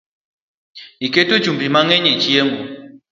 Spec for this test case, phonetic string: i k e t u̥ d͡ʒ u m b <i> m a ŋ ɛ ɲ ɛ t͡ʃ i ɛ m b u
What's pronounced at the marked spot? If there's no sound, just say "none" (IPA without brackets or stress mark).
i